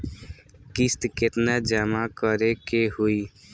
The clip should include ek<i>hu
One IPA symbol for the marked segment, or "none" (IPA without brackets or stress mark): e